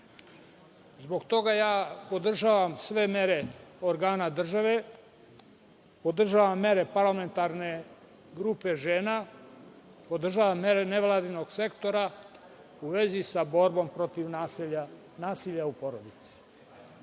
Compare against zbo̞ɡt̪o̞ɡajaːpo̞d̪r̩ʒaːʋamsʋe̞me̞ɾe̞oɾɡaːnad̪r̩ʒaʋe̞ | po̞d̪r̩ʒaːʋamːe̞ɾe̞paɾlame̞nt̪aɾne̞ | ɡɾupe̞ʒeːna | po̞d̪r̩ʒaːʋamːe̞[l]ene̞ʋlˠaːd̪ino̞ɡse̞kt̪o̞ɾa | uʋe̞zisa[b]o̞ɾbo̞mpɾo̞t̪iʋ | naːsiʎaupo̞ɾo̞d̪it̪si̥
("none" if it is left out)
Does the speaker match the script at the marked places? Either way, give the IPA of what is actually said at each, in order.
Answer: ɾ, b

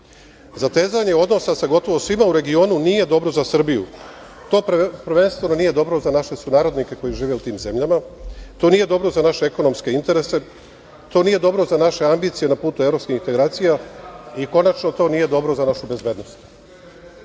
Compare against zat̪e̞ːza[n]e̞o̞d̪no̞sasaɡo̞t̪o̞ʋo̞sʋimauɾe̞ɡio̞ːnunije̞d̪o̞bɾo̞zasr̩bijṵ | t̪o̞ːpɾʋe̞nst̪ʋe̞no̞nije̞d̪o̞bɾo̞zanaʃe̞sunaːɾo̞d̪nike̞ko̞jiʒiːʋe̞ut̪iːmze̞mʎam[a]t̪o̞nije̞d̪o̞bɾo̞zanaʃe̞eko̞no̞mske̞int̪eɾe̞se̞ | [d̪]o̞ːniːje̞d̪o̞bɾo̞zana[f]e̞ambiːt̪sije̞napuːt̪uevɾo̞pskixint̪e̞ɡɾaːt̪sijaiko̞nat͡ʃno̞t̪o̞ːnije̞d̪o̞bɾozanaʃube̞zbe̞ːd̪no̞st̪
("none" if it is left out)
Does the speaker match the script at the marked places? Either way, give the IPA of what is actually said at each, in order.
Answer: ɲ, a, t̪, ʃ

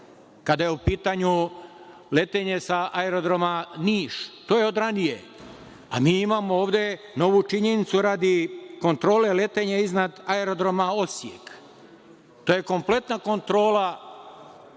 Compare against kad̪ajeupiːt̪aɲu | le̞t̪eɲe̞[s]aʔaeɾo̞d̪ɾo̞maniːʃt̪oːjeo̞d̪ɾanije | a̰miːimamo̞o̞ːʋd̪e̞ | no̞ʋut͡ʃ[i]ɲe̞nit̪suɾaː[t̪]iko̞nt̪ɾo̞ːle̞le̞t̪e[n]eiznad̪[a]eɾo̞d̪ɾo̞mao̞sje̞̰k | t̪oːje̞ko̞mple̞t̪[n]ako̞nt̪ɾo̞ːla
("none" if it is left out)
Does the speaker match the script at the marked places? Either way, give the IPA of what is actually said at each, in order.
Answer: s, i, d̪, ɲ, a, n

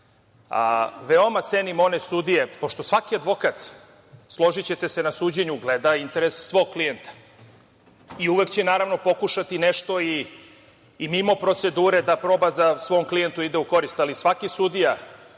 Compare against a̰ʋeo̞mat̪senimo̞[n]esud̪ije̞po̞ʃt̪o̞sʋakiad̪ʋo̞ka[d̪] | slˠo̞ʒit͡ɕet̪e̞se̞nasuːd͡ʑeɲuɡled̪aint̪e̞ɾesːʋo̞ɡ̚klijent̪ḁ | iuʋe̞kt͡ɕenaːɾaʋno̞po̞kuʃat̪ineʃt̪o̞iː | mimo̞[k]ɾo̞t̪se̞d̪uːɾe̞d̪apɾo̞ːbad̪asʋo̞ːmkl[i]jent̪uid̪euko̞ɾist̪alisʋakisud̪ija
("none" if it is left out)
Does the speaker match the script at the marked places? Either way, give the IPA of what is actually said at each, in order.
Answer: n, t̪, p, i

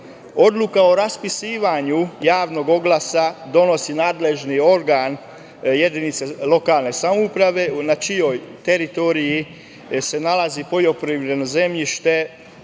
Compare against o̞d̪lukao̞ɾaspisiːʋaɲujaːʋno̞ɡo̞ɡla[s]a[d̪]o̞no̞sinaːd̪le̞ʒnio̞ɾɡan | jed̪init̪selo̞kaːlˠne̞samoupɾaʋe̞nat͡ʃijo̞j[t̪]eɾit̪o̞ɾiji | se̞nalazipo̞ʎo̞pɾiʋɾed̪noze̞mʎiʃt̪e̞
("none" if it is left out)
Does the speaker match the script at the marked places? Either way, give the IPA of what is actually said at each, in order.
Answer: s, d̪, t̪

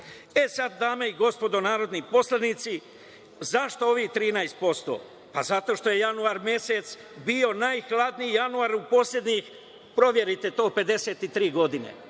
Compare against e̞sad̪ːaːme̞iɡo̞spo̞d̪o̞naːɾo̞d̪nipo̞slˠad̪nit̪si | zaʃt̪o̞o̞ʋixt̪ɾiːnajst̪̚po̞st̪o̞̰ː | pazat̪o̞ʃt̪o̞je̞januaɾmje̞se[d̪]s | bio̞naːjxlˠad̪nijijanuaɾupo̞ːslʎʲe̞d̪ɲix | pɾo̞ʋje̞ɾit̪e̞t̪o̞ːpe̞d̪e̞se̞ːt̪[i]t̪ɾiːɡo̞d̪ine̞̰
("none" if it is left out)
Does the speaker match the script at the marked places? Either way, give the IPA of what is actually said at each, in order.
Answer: t̪, i

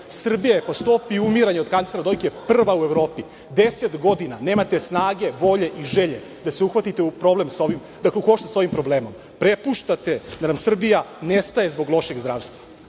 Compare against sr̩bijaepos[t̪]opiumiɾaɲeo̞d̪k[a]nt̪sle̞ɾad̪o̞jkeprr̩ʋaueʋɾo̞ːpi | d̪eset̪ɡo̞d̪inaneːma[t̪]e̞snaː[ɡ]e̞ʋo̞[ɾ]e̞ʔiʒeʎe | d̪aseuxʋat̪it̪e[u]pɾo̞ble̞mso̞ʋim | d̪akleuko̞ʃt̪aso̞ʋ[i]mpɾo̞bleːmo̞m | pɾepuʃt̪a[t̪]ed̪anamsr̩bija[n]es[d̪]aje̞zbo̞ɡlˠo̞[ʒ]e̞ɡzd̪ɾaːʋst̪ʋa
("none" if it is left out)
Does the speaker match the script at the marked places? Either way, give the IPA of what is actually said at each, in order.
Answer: t̪, a, t̪, ɡ, ʎ, u, i, t̪, n, t̪, ʃ

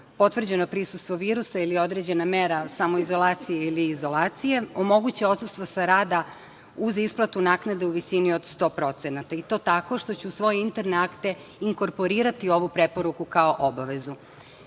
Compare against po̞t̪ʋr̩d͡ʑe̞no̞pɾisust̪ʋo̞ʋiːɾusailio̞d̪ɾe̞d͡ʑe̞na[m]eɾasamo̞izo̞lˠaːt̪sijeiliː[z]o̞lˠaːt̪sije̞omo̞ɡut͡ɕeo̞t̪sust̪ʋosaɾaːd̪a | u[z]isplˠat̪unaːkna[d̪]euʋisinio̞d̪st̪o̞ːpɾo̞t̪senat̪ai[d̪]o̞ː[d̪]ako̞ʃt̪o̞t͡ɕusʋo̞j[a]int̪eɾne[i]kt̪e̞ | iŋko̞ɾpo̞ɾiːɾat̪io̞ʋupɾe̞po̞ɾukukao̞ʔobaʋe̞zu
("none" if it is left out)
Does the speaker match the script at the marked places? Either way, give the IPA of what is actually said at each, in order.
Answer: m, z, z, d̪, t̪, t̪, e, a

